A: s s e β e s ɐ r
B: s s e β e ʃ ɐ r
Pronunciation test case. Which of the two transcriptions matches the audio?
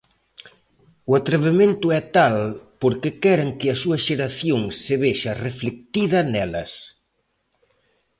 B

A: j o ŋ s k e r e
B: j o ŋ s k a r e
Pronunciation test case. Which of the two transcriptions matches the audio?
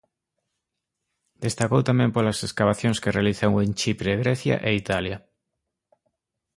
A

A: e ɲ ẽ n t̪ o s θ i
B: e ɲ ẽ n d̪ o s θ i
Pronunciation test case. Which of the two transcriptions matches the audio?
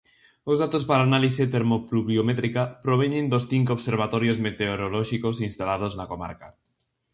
B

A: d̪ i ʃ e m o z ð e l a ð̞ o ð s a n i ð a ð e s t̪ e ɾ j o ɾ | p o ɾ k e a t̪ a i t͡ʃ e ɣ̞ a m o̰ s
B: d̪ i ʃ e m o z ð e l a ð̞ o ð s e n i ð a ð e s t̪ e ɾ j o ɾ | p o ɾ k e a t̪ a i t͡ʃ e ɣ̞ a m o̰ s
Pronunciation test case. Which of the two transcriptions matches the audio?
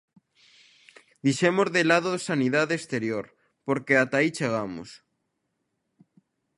A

